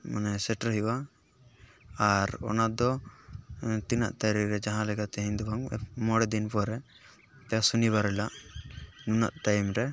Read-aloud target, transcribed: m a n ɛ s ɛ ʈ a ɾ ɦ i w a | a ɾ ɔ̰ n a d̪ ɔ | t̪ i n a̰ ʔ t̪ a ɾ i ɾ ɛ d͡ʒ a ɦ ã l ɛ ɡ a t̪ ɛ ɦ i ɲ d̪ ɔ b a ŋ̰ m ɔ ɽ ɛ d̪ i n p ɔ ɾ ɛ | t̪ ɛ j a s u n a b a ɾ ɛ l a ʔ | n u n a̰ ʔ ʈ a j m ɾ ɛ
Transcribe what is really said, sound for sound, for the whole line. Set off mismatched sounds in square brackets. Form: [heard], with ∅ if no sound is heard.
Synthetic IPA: m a n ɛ s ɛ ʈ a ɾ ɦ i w a | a ɾ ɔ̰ n a d̪ ɔ | t̪ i n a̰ ʔ t̪ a ɾ i ɾ ɛ d͡ʒ a ɦ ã l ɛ ɡ a t̪ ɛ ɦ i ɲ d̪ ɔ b a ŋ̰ m ɔ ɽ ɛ d̪ i n p ɔ ɾ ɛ | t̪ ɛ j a s u n [i] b a ɾ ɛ l a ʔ | n u n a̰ ʔ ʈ a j m ɾ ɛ